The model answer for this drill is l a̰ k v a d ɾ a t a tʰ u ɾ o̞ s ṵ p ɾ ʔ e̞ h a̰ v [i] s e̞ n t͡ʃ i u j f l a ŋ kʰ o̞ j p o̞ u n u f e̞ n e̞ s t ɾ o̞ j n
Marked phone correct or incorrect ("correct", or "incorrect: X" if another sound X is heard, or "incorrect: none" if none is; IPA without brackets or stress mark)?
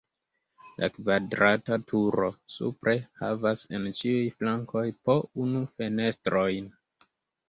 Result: incorrect: a